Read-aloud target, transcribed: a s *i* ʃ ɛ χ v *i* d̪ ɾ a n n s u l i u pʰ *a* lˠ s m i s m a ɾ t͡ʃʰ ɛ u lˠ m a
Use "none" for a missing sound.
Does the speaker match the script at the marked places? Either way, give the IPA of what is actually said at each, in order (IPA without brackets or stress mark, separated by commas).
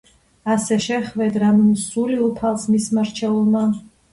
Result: ɛ, ɛ, a